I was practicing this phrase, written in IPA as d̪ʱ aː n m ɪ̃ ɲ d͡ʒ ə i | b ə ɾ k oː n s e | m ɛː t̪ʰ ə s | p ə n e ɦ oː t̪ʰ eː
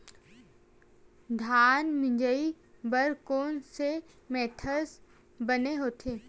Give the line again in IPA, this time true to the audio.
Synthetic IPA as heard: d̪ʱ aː n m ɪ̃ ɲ d͡ʒ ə i | b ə ɾ k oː n s e | m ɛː t̪ʰ ə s | b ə n e ɦ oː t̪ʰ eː